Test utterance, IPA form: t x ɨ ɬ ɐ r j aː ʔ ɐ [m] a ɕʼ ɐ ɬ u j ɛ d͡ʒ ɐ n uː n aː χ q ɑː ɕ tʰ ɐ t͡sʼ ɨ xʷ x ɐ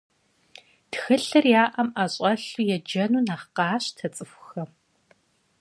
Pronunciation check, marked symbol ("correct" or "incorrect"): correct